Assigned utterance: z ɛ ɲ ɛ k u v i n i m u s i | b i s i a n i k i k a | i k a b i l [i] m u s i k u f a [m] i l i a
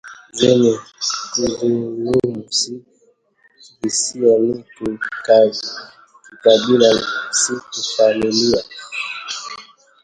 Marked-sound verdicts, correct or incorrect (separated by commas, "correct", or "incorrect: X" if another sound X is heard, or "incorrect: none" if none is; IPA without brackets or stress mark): incorrect: a, correct